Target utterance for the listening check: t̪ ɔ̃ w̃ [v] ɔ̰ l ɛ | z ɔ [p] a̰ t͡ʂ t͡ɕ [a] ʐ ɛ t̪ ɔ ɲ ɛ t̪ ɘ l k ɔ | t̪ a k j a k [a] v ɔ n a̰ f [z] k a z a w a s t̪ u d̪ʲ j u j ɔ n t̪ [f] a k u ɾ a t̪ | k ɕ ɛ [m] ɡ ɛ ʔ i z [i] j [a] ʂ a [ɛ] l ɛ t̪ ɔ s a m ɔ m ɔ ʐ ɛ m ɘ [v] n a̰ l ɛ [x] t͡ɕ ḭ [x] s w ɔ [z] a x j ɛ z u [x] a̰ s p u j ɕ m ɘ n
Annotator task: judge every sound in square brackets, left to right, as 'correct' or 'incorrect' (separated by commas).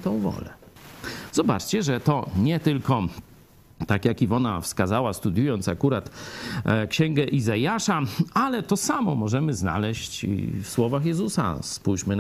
correct, incorrect, incorrect, incorrect, incorrect, incorrect, incorrect, incorrect, correct, incorrect, incorrect, incorrect, incorrect, incorrect, incorrect